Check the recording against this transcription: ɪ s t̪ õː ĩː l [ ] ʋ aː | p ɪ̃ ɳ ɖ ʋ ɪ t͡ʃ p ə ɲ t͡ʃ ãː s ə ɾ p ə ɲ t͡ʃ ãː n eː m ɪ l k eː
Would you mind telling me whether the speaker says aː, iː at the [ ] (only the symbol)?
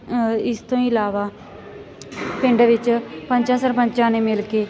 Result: aː